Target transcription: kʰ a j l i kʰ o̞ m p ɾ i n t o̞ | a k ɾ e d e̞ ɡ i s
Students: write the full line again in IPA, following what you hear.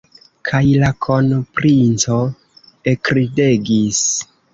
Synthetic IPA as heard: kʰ a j l a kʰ o̞ n p ɾ i n t͡s o̞ | e k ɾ i d e̞ ɡ i s

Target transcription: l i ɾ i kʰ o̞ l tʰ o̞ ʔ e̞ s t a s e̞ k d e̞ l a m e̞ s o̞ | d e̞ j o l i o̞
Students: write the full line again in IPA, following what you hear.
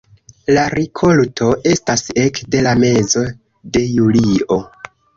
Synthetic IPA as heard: l a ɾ i kʰ o̞ l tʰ o̞ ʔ e̞ s t a s e̞ k d e̞ l a m e̞ z o̞ | d e̞ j u l i o̞

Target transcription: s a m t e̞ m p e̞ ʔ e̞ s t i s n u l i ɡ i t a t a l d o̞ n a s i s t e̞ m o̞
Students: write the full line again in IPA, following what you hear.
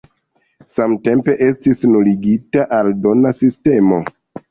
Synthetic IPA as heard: s a m t e̞ m p e̞ ʔ e̞ s t i s n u l i ɡ i t a ʔ a l d o̞ n a s i s t e̞ m o̞

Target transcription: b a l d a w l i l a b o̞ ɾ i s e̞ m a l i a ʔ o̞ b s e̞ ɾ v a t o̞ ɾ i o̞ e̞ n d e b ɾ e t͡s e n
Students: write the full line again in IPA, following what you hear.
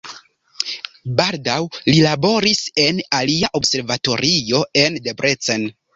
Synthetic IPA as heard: b a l d a w l i l a b o̞ ɾ i s e̞ n a l i a ʔ o̞ b s e̞ ɾ v a t o̞ ɾ i o̞ e̞ n d e b ɾ e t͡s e n

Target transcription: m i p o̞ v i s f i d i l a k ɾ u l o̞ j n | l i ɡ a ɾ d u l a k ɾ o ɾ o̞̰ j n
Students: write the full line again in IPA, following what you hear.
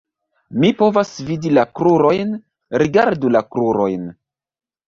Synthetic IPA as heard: m i p o̞ v a s v i d i l a k ɾ u ɾ o̞ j n | ɾ i ɡ a ɾ d u l a k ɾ u ɾ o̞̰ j n

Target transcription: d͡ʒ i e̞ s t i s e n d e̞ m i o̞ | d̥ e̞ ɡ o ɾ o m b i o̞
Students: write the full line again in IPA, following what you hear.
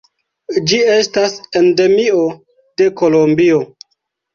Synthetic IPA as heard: d͡ʒ i e̞ s t a s e n d e̞ m i o̞ | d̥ e̞ k o l o m b i o̞

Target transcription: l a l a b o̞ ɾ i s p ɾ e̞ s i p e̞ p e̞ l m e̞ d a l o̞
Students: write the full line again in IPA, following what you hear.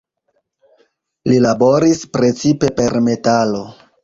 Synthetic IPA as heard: l i l a b o̞ ɾ i s p ɾ e̞ t͡s i p e̞ p e̞ ɾ m e̞ t a l o̞

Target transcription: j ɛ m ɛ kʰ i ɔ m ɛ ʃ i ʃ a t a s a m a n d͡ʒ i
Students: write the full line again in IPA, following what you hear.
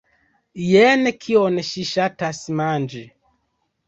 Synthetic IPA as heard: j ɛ n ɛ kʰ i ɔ n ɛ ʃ i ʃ a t a s i m a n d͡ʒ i

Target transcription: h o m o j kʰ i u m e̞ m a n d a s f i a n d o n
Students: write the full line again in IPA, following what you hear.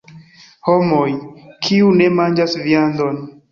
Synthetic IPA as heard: h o m o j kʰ i u n e̞ m a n d͡ʒ a s v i a n d o n

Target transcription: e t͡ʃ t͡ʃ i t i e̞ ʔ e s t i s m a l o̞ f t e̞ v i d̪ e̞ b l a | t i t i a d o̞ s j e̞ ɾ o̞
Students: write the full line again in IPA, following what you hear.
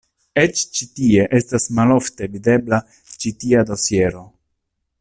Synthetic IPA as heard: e t͡ʃ t͡ʃ i t i e̞ ʔ e s t a s m a l o̞ f t e̞ v i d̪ e̞ b l a | t͡ʃ i t i a d o̞ s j e̞ ɾ o̞

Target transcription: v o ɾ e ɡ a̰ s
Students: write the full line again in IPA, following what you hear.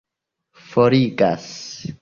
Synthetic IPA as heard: f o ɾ i ɡ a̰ s

